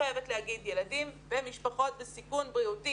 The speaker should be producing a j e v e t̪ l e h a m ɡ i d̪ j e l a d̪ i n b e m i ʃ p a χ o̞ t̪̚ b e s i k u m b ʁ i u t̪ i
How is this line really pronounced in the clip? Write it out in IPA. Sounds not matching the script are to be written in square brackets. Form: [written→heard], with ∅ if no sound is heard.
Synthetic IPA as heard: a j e v e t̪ l e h a [m→∅] ɡ i d̪ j e l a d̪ i [n→m] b e m i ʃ p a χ o̞ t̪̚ b e s i k u [m→n] b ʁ i u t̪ i